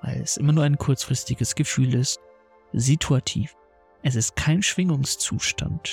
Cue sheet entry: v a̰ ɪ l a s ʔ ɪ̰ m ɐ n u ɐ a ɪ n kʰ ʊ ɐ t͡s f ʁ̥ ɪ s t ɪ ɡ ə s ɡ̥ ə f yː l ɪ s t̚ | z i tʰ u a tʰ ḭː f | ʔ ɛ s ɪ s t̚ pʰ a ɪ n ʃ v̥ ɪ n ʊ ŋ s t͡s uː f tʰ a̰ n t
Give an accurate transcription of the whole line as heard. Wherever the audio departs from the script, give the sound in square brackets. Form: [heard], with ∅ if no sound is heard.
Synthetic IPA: v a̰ ɪ l [ɛ] s ʔ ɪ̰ m ɐ n [uː] ɐ a ɪ n kʰ ʊ ɐ t͡s f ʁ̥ ɪ s t ɪ ɡ ə s ɡ̥ ə f yː l ɪ s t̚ | z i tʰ u a tʰ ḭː f | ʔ ɛ s ɪ s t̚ [kʰ] a ɪ n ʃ v̥ ɪ [ŋ] ʊ ŋ s t͡s uː [ʃ] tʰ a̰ n t